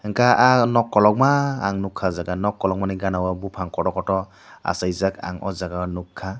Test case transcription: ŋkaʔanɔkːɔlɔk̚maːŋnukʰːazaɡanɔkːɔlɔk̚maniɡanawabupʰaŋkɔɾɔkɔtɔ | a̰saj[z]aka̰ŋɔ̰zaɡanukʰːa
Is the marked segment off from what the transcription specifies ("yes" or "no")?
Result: no